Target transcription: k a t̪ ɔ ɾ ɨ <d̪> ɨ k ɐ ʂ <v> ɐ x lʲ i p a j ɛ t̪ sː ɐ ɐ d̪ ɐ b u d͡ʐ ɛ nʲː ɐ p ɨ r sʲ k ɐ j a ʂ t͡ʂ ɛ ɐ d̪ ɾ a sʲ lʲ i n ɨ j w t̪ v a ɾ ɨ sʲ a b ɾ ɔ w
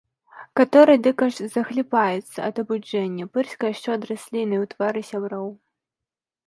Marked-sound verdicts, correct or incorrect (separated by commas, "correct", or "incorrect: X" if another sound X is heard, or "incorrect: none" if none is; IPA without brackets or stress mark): correct, incorrect: z